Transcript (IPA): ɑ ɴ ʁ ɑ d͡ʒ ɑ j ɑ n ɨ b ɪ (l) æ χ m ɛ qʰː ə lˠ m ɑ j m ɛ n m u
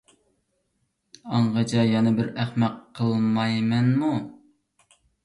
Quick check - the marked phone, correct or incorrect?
incorrect